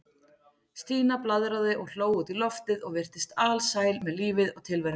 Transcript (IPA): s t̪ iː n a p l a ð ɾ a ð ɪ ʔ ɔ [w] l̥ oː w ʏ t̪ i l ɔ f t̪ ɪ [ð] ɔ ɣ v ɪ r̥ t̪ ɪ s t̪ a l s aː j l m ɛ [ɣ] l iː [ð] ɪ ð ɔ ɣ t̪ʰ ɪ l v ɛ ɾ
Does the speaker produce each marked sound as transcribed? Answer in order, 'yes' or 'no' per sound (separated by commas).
no, yes, no, no